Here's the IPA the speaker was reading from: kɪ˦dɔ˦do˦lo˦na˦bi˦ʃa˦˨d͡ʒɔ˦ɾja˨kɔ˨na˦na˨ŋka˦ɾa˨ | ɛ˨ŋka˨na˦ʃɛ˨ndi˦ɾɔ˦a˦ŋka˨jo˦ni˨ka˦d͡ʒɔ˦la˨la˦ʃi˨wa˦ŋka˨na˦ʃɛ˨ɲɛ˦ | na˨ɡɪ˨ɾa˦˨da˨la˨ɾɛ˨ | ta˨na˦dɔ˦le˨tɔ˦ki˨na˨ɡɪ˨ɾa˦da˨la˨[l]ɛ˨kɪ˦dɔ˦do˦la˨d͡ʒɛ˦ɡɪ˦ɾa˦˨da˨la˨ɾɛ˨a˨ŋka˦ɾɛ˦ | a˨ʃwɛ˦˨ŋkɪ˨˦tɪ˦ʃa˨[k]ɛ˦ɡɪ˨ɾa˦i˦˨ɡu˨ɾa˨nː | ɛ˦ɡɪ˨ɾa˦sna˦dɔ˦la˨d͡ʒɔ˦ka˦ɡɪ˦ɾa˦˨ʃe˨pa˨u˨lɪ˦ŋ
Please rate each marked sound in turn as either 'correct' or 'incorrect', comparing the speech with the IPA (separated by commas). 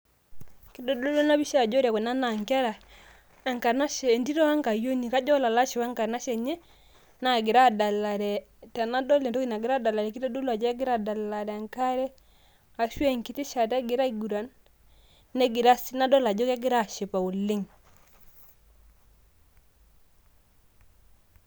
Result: incorrect, incorrect